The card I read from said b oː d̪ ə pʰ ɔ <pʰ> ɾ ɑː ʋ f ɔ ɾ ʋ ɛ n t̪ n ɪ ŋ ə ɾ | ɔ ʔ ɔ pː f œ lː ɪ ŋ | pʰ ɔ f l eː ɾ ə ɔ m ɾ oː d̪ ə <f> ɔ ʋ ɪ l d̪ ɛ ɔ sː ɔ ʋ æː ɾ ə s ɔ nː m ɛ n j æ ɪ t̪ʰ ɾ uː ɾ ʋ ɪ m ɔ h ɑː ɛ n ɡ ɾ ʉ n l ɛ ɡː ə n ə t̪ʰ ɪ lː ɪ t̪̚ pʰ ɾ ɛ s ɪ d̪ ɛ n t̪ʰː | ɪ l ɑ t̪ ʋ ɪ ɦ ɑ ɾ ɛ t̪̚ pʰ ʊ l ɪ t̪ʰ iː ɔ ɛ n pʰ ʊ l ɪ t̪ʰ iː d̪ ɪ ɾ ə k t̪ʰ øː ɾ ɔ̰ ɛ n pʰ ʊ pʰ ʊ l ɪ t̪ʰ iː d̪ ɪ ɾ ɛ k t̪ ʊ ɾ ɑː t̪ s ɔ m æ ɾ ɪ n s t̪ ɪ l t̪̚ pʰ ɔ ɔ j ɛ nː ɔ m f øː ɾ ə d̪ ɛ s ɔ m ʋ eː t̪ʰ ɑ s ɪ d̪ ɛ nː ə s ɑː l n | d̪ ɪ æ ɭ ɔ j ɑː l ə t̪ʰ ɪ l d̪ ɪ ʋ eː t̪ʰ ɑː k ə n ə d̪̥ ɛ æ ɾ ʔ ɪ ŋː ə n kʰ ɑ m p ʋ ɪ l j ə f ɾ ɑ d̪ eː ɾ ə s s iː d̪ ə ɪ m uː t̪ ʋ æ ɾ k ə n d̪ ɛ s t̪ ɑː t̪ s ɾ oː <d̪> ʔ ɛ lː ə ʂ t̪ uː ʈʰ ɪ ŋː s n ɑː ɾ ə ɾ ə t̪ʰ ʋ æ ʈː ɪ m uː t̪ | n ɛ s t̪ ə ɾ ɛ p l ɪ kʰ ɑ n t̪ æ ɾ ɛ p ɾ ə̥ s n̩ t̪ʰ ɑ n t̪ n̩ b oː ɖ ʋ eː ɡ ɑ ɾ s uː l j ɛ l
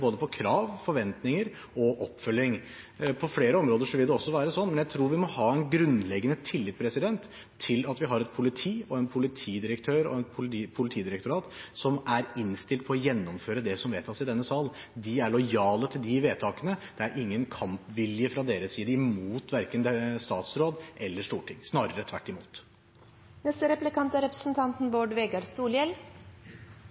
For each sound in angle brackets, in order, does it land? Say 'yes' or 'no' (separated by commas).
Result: no, no, yes